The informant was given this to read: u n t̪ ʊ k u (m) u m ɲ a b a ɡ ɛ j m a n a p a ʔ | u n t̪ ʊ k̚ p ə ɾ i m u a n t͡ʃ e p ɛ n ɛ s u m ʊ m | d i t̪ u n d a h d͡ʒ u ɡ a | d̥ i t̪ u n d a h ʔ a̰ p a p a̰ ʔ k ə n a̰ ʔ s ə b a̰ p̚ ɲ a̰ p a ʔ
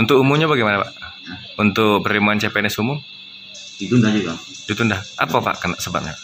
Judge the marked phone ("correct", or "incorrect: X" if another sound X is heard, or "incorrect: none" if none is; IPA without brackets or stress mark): correct